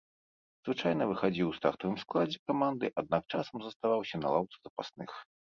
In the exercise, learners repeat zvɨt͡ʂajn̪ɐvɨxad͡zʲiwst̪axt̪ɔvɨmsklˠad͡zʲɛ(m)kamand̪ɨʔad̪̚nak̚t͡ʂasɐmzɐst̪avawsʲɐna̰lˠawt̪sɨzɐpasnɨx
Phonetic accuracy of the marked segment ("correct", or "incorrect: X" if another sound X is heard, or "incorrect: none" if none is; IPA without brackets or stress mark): incorrect: none